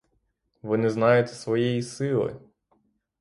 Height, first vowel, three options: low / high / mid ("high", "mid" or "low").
mid